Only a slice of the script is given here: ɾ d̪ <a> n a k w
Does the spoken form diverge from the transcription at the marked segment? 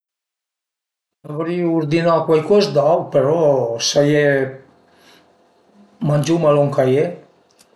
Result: yes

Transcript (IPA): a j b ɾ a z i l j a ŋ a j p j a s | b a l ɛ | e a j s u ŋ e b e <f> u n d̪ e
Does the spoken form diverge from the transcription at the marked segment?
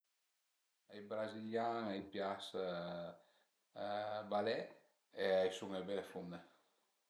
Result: no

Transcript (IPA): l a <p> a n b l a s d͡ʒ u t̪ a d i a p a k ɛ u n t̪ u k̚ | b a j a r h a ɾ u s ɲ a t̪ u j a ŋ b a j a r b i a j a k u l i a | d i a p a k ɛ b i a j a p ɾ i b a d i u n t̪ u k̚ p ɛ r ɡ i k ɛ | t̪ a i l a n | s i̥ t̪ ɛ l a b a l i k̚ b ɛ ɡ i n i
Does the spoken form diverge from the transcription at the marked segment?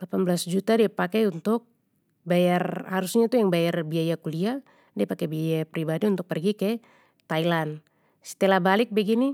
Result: no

